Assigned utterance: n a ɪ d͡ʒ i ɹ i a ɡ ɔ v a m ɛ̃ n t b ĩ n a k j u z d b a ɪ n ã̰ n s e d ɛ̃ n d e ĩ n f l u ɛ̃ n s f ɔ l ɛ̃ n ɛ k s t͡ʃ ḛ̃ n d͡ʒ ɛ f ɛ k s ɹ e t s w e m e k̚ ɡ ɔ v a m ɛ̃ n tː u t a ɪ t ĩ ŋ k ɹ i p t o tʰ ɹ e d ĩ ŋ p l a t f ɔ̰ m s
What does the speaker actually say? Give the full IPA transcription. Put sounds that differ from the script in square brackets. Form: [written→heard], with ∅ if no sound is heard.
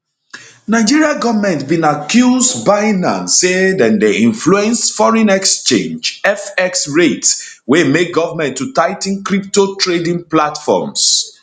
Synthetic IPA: n a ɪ d͡ʒ i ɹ i a ɡ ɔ v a m ɛ̃ n t b ĩ n a k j u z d b a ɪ n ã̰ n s e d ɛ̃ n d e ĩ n f l u ɛ̃ n s f ɔ [l→ɹ] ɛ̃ n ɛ k s t͡ʃ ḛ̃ n d͡ʒ ɛ f ɛ k s ɹ e t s w e m e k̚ ɡ ɔ v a m ɛ̃ n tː u t a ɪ t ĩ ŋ k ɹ i p t o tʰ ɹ e d ĩ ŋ p l a t f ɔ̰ m s

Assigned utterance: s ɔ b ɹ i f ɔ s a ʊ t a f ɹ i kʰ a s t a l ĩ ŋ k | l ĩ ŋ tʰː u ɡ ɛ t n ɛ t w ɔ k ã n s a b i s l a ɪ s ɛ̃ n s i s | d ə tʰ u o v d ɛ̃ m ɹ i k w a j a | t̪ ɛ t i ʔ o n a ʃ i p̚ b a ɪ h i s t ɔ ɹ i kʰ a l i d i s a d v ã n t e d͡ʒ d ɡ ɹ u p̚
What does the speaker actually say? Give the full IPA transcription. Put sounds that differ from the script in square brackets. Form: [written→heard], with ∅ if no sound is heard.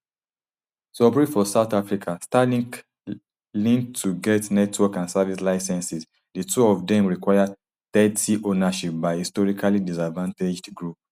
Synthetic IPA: s ɔ b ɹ i f ɔ s a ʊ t a f ɹ i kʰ a s t a l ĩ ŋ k | l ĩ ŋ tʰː u ɡ ɛ t n ɛ t w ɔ k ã n s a [b→v] i s l a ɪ s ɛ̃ n s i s | d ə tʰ u [o→ɔ] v d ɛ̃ m ɹ i k w a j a | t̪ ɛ t i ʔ o n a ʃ i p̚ b a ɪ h i s t ɔ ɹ i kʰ a l i d i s a d v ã n t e d͡ʒ d ɡ ɹ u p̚

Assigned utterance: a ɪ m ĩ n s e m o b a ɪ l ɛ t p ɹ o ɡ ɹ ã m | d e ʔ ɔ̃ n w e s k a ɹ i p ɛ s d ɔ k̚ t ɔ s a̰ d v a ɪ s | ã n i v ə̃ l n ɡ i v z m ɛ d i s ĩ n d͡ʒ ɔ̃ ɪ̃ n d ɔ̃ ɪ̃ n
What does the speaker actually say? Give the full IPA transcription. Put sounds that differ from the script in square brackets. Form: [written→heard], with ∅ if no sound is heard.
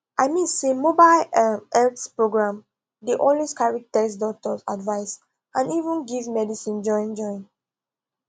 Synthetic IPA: a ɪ m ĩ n s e m o b a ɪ l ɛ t p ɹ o ɡ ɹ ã m | d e ʔ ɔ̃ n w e s k a ɹ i [p→t] ɛ s d ɔ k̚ t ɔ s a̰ d v a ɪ s | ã n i v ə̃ [l→∅] n ɡ i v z m ɛ d i s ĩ n d͡ʒ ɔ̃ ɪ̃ n [d→d͡ʒ] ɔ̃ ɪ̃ n

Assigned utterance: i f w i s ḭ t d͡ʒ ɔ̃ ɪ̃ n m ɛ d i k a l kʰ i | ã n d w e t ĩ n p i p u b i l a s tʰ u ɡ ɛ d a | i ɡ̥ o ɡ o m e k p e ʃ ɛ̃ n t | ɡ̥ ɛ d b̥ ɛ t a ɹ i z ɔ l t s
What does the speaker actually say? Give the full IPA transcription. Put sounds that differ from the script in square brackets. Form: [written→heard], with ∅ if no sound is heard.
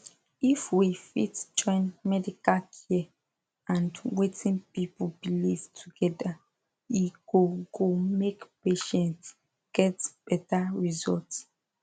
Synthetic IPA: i f w i [s→f] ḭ t d͡ʒ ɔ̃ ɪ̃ n m ɛ d i k a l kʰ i | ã n d w e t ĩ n p i p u b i l [a→i] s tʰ u ɡ ɛ d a | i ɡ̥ o ɡ o m e k p e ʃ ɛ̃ n t | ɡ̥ ɛ [d→t] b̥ ɛ t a ɹ i z ɔ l t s

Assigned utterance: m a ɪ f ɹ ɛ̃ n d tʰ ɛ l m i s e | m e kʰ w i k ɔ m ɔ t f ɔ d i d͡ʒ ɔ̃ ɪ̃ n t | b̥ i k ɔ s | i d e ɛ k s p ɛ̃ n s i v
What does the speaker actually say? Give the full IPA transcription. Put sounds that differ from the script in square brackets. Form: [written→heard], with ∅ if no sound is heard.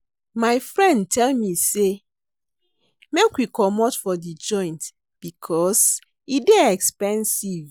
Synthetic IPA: m a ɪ f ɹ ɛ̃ n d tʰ ɛ l m i s e | m e [kʰ→k] w i k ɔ m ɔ t f ɔ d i d͡ʒ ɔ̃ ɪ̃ n t | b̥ i [k→kʰ] ɔ s | i d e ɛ k s p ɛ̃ n s i v

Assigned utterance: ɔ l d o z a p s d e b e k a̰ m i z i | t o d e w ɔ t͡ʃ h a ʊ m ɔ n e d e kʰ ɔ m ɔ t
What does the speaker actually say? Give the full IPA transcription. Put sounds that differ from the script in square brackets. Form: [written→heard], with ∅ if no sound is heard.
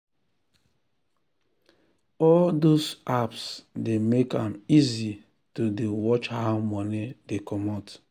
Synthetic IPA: ɔ l d o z a p s d e [b→m] e k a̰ m i z i | t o d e w ɔ t͡ʃ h a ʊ m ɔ n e d e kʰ ɔ m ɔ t

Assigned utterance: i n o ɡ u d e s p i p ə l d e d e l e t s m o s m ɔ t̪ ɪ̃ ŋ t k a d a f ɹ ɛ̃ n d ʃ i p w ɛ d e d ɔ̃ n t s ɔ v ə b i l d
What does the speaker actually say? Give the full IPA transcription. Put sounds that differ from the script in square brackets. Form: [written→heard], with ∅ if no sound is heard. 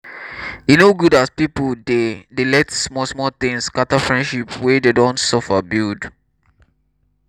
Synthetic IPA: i n o ɡ u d [e→a] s p i p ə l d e d e l [e→ɛ] t s m [o→ɔ] s m ɔ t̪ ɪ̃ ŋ [t→s] k a [d→t] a f ɹ ɛ̃ n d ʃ i p w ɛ d e d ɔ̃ n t s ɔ [v→f] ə b i l d

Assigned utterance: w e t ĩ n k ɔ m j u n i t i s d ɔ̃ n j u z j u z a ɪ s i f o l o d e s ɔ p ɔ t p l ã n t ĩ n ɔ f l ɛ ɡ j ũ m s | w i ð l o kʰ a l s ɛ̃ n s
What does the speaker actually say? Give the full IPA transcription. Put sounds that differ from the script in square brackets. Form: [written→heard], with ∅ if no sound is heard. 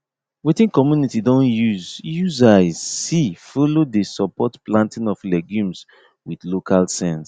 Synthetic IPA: w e t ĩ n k ɔ m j u n i t i [s→∅] d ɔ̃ n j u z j u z a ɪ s i f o l o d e s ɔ p ɔ t p l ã n t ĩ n ɔ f l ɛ ɡ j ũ m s | w i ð l o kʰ a l s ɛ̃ n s

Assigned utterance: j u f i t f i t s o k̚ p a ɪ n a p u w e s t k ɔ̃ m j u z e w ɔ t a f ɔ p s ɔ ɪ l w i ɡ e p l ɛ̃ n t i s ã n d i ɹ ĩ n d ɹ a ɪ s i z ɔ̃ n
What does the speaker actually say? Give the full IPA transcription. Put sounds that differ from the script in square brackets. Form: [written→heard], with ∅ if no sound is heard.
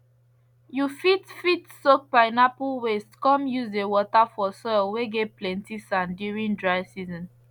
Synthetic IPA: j u f i t f i t s o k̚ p a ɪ n a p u w e s t k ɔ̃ m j u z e w ɔ t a f ɔ [p→∅] s ɔ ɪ l w [i→e] ɡ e p l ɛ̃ n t i s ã n d i ɹ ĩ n d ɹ a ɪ s i z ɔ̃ n

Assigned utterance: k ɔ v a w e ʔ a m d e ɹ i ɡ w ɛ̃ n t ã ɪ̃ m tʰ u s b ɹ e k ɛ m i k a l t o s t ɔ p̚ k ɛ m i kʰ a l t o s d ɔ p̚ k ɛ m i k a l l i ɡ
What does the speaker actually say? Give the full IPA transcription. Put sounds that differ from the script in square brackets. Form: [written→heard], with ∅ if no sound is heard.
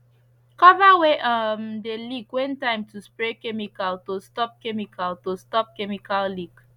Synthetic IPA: k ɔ v a w e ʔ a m d e [ɹ→l] i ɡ w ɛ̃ n t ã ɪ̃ m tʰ u s [b→p] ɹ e k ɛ m i k a l t o s t ɔ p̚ k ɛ m i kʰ a l t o s [d→t] ɔ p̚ k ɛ m i k a l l i ɡ

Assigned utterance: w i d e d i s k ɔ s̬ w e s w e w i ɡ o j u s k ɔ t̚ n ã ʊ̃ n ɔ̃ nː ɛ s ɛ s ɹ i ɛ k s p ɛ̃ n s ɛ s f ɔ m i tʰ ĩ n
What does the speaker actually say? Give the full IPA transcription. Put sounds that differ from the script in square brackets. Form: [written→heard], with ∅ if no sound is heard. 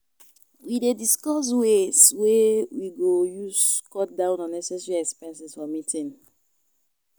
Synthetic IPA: w i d e d i s k ɔ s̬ w e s w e w i ɡ o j u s k ɔ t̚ [n→d] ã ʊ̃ n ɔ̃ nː ɛ s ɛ s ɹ i ɛ k s p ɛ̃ n s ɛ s f ɔ m i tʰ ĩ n

